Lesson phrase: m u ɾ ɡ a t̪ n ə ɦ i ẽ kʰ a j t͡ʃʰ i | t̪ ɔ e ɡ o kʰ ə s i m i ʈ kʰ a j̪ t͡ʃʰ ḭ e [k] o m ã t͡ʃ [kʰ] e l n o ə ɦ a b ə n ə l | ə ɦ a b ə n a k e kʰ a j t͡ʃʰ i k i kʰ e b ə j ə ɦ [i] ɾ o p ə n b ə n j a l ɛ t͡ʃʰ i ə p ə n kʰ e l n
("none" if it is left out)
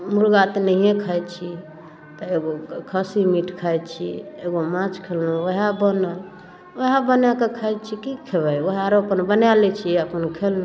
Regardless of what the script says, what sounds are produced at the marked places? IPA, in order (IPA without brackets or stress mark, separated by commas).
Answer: ɡ, kʰ, a